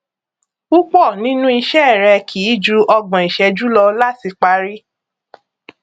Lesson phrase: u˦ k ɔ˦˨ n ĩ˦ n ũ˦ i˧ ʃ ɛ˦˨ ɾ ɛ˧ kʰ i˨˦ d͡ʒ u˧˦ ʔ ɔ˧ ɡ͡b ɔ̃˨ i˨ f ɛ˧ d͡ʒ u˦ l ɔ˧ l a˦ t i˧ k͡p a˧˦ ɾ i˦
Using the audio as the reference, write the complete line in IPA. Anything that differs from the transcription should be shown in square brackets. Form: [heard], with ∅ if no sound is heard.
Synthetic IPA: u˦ [k͡p] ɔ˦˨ n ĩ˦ n ũ˦ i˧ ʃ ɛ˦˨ ɾ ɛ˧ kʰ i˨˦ d͡ʒ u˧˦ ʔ ɔ˧ ɡ͡b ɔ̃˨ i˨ [ʃ] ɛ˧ d͡ʒ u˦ l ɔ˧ l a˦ t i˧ k͡p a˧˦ ɾ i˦